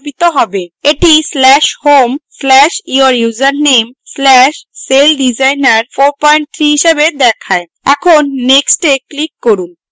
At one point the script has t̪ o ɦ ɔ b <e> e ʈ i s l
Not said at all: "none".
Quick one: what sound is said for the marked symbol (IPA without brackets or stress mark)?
e